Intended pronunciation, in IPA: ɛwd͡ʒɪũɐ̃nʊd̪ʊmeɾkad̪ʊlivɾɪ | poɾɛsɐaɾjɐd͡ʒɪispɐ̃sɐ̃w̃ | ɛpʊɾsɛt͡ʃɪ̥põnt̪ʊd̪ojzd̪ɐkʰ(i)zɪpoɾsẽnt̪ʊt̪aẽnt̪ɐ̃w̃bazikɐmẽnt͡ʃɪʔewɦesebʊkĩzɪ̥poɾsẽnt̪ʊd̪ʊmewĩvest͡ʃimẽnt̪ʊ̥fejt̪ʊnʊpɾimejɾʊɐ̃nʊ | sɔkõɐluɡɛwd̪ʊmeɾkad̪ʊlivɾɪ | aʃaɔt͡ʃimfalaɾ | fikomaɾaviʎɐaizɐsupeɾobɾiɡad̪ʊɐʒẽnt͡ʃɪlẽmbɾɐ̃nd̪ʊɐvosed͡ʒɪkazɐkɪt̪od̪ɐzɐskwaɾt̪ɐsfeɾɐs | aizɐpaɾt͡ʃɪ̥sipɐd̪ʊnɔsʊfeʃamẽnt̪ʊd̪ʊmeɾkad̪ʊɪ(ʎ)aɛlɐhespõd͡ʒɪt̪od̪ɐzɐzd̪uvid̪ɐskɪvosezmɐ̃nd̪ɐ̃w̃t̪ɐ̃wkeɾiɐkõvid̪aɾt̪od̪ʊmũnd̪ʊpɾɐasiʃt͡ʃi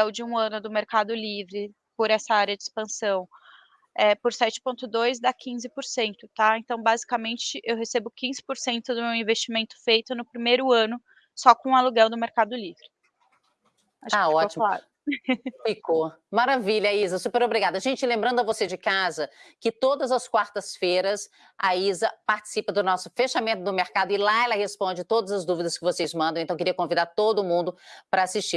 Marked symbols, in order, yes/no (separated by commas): no, no